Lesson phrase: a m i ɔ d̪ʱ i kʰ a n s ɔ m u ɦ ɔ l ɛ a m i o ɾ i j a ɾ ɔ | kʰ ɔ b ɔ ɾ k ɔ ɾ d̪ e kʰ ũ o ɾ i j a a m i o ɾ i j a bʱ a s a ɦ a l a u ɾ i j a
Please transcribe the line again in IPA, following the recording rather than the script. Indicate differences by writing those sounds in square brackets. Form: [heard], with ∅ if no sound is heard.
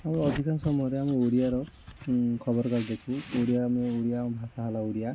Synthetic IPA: a m i ɔ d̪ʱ i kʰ a n s ɔ m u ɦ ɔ [ɾ] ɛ a m i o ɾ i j a ɾ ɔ | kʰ ɔ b ɔ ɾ k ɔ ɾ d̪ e kʰ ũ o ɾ i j a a m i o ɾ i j a bʱ a s a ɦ a l a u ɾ i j a